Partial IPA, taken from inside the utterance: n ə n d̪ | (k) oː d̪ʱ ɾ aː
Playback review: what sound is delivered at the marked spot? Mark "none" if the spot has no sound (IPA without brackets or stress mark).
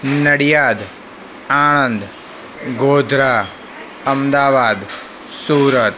ɡ